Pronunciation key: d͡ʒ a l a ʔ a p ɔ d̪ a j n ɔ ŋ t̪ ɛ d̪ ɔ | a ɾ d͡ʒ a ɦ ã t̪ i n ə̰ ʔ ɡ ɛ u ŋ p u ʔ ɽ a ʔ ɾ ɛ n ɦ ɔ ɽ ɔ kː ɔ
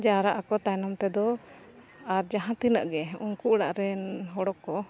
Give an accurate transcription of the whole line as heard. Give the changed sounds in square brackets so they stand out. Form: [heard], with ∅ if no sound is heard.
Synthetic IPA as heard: d͡ʒ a [ɾ] a ʔ a [k] ɔ [t̪] a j n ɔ [m] t̪ ɛ d̪ ɔ | a ɾ d͡ʒ a ɦ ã t̪ i n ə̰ ʔ ɡ ɛ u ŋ [k] u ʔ ɽ a ʔ ɾ ɛ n ɦ ɔ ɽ ɔ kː ɔ